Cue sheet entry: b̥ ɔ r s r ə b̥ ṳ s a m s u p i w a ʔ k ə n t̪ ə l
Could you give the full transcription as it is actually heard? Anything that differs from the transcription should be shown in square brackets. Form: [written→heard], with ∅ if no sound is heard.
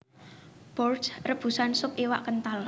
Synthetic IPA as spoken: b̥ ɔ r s r ə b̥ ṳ s a [m→n] s [u→ʊ] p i w a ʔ k ə n t̪ [ə→a] l